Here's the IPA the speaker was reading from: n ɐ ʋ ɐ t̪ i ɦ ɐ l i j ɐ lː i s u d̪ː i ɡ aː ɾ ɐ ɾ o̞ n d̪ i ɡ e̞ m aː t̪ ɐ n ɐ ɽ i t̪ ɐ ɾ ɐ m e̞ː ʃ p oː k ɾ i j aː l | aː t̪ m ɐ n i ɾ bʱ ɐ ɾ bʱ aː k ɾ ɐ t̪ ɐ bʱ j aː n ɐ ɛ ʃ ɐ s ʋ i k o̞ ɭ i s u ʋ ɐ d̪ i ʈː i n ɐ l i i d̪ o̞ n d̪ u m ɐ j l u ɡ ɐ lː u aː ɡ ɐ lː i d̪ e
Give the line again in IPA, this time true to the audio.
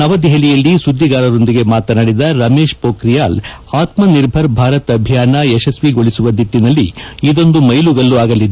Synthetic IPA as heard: n ɐ ʋ ɐ d̪ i ɦ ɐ l i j ɐ lː i s u d̪ː i ɡ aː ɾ ɐ ɾ o̞ n d̪ i ɡ e̞ m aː t̪ ɐ n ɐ ɽ i d̪ ɐ ɾ ɐ m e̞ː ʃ p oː k ɾ i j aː l | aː t̪ m ɐ n i ɾ bʱ ɐ ɾ bʱ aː ɾ ɐ t̪ ɐ bʱ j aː n ɐ ɛ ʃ ɐ s ʋ i ɡ o̞ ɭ i s u ʋ ɐ d̪ i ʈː i n ɐ lː i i d̪ o̞ n d̪ u m ɐ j l u ɡ ɐ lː u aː ɡ ɐ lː i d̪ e